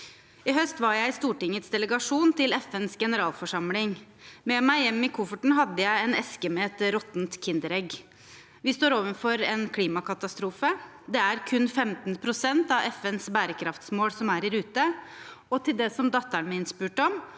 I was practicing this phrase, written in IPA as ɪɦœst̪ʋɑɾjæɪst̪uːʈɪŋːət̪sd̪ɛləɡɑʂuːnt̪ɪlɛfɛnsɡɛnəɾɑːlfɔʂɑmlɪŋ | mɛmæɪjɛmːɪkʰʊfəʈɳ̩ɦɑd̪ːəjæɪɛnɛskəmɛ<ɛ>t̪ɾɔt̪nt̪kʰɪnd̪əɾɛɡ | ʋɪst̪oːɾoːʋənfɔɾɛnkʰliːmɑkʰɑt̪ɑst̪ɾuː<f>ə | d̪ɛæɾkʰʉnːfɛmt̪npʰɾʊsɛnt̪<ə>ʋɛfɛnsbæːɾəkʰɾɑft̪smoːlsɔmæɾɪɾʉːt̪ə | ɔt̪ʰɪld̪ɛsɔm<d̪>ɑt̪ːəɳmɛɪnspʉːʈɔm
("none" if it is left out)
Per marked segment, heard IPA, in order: ɛ, f, ɑ, d̪

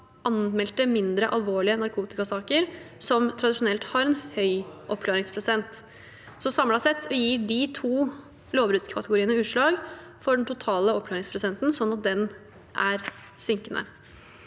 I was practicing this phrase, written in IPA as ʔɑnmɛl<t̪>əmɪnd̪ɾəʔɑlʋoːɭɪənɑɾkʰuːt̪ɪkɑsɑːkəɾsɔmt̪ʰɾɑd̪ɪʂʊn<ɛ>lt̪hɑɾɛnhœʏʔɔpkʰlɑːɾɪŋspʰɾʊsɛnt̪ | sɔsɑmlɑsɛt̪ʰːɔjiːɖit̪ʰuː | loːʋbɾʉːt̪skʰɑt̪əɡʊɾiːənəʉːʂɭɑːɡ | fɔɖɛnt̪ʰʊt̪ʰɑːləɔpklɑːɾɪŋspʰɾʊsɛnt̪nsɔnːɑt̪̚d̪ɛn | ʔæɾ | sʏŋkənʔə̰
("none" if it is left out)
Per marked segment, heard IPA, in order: t̪, ɛ

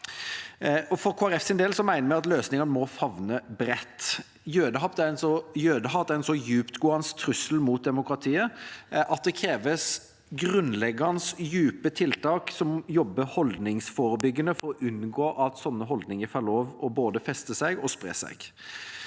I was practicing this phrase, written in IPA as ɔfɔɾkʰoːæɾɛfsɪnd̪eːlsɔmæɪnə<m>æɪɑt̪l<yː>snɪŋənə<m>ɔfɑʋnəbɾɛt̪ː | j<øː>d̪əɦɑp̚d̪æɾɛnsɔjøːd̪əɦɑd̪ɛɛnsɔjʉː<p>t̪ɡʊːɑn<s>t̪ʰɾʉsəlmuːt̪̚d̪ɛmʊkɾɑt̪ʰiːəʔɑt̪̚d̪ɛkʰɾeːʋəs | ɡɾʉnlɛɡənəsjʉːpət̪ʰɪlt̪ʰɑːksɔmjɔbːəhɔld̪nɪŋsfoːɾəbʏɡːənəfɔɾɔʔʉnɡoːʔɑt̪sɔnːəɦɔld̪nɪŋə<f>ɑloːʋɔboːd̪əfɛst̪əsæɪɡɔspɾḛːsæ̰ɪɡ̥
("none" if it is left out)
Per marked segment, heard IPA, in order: m, øː, m, øː, p, s, f

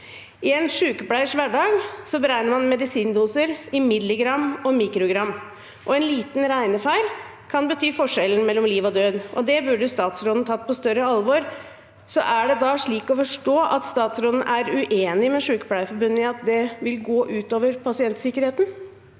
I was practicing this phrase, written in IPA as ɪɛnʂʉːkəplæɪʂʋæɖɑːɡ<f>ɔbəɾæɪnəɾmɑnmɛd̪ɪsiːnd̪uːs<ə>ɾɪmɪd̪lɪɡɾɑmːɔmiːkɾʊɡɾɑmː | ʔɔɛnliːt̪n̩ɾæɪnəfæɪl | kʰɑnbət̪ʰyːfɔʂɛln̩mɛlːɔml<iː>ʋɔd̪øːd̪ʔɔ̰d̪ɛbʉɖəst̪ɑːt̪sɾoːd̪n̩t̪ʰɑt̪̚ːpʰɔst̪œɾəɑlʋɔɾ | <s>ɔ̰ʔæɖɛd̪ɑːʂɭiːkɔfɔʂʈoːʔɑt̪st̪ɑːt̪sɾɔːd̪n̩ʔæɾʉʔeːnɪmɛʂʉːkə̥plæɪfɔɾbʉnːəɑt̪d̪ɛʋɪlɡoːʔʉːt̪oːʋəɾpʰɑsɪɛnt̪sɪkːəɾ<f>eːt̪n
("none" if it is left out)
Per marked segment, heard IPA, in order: s, ə, iː, s, h

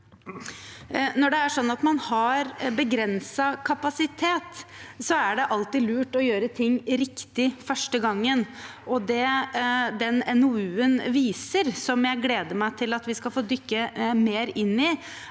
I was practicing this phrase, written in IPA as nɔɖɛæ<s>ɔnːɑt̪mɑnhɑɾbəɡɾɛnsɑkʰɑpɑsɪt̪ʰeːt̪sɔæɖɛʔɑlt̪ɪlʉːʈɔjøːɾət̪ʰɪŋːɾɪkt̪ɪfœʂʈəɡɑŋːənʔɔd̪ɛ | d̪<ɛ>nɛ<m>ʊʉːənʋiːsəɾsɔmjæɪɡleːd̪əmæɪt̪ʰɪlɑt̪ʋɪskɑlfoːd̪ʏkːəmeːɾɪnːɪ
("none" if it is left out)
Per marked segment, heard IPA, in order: ʂ, ɛ, n

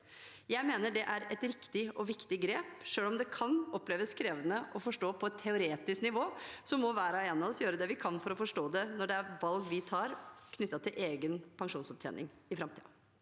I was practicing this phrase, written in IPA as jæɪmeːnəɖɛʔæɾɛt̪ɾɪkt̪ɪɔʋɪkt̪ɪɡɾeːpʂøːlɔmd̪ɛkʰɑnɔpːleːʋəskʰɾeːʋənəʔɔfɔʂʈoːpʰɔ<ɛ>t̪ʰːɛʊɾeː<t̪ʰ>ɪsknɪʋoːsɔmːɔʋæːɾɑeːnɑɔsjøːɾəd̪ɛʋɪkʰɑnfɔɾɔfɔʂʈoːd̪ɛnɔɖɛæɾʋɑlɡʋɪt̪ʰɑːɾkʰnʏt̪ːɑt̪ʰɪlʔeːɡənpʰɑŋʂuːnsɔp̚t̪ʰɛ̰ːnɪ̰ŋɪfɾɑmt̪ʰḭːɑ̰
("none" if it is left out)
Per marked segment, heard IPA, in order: ɛ, t̪

